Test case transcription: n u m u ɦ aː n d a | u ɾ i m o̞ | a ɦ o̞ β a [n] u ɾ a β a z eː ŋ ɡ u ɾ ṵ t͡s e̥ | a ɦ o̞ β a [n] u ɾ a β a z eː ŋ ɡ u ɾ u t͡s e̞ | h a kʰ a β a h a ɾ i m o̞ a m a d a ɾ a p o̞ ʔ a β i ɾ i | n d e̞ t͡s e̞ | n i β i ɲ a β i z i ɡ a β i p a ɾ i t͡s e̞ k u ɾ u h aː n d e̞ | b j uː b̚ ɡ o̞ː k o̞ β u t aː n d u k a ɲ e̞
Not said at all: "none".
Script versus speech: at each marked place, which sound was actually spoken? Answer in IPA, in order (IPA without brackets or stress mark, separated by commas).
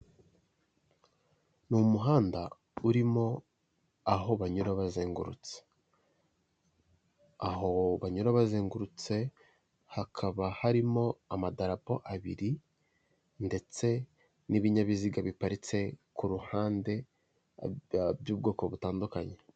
ɲ, ɲ